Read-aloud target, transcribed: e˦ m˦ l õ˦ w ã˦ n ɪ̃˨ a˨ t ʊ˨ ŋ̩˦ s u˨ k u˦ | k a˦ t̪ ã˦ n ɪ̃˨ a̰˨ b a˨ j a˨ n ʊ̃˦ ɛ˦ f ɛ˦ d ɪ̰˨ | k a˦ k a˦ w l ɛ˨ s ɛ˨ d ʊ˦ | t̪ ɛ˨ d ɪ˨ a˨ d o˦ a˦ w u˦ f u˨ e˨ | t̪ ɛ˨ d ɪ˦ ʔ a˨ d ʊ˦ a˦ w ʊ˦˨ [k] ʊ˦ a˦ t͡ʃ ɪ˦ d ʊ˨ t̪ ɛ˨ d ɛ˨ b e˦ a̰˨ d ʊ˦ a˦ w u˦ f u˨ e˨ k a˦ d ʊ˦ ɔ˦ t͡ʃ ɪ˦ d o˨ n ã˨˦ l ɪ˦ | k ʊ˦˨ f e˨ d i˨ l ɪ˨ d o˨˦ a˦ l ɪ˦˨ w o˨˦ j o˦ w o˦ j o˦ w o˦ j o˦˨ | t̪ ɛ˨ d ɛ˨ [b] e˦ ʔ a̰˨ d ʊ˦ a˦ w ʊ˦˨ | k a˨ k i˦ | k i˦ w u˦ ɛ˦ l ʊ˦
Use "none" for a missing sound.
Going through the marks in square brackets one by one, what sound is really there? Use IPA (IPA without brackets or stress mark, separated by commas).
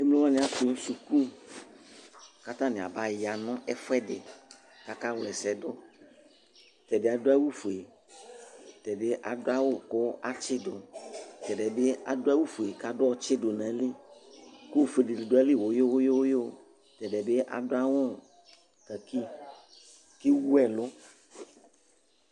k, b